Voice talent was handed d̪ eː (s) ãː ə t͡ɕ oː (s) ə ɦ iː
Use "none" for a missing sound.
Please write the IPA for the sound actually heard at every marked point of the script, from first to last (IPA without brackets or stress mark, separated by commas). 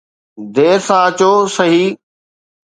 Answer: s, s